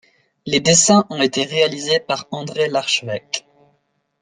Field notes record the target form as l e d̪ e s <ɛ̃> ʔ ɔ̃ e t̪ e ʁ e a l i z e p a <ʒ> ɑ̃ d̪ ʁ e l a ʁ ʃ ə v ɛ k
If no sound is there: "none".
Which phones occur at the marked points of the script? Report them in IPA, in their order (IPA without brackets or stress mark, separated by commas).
ɛ̃, ʁ